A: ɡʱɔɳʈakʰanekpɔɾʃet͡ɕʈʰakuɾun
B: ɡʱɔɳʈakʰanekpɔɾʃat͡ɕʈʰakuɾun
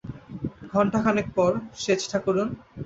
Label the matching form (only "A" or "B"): A